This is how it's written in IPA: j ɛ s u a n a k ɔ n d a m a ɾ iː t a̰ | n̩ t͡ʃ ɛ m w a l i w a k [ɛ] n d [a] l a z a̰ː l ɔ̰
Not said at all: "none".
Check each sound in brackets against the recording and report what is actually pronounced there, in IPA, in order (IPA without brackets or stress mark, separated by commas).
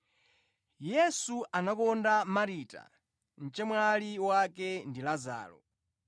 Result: ɛ, i